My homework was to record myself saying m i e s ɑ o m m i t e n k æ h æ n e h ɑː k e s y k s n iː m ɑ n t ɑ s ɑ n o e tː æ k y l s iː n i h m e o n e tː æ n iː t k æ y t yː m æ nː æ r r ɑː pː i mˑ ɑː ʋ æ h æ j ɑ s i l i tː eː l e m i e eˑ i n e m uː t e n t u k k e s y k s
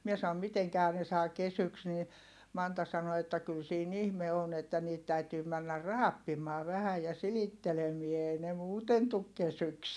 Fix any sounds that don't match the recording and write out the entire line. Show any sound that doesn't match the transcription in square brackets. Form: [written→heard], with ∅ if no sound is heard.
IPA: m i e s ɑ o m m i t e [n→ŋ] k æ h æ n e [h→s] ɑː k e s y k s n iː m ɑ n t ɑ s ɑ n o e tː æ k y l s iː n i h m e o n e tː æ n iː t [k→t] æ y t yː m æ nː æ r r ɑː pː i mˑ ɑː ʋ æ h æ j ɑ s i l i tː [eː→e] l e m i e eˑ i n e m uː t e n t u k k e s y k s